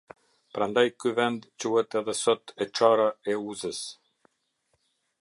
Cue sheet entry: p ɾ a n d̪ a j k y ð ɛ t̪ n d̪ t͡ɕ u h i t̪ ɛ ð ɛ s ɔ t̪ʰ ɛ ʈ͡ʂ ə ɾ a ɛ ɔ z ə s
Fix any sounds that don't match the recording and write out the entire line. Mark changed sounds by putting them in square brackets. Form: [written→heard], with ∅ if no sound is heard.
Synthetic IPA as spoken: p ɾ a n d̪ a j k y [ð→v] ɛ [t̪→∅] n d̪ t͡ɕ u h [i→ɛ] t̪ ɛ ð ɛ s ɔ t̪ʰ ɛ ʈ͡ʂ [ə→a] ɾ a ɛ [ɔ→u] z ə s